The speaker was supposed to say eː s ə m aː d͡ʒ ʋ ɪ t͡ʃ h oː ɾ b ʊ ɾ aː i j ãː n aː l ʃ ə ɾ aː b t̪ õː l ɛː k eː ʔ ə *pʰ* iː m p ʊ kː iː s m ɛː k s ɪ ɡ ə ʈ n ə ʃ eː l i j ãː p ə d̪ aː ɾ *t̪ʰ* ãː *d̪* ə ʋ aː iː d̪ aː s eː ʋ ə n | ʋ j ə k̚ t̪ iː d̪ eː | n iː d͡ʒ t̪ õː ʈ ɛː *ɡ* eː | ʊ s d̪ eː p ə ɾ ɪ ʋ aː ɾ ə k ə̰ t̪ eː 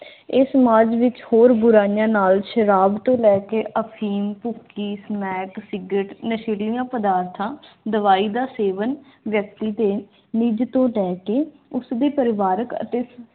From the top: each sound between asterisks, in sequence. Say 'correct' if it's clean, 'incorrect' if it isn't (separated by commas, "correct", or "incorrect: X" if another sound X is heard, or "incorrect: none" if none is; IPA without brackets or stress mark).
correct, correct, correct, incorrect: k